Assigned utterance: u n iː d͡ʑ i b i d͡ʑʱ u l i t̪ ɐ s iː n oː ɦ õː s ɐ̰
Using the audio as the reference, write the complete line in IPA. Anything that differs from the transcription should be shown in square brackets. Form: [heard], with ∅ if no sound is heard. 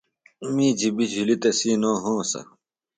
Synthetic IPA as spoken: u [m] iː d͡ʑ i b i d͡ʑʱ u l i t̪ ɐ s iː n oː ɦ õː s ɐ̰